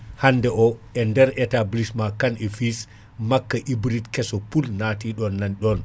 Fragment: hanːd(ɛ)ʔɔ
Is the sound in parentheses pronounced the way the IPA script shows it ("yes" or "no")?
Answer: yes